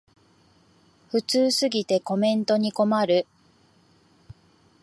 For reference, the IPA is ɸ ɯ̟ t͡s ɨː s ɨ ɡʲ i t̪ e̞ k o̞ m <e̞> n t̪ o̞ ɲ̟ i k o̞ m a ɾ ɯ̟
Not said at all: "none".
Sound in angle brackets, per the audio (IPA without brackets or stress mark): ẽ̞